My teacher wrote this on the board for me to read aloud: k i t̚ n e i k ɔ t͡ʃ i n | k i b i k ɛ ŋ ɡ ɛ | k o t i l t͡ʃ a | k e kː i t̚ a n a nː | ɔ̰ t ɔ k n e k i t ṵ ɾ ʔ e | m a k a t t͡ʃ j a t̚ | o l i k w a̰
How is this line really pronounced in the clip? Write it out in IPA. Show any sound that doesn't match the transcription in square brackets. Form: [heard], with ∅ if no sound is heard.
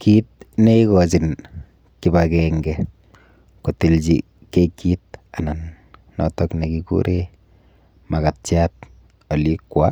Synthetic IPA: k i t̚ n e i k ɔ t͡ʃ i n | k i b [a] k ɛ ŋ ɡ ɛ | k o t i l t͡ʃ [i] | k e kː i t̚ a n a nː | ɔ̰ t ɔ k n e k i [k] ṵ ɾ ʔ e | m a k a t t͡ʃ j a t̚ | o l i k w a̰